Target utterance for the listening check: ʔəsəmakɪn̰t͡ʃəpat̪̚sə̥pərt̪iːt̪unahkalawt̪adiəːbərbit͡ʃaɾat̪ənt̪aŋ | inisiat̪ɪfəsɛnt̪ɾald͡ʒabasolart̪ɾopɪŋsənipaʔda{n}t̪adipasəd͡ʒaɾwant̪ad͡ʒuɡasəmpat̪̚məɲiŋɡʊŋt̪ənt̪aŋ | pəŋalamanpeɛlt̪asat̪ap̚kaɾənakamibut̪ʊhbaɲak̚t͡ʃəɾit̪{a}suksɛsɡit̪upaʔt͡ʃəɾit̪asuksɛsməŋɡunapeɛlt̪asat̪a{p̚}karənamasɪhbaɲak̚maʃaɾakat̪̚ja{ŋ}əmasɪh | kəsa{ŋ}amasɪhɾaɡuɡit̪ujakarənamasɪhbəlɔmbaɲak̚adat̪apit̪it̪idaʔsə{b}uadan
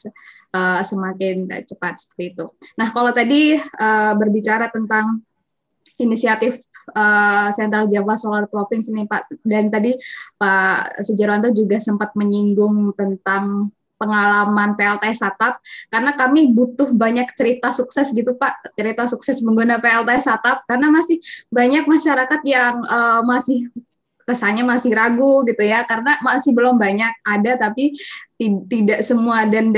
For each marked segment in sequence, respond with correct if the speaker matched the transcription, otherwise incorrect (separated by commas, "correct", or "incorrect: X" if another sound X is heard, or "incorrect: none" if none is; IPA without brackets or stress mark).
correct, correct, correct, correct, incorrect: ɲ, incorrect: m